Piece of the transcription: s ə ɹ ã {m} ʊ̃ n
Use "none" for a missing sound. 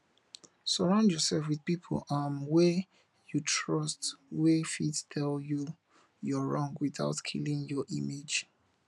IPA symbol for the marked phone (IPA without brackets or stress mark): none